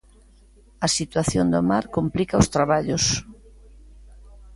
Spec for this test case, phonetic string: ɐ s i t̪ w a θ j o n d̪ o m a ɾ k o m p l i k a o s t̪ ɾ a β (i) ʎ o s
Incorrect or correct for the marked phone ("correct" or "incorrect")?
incorrect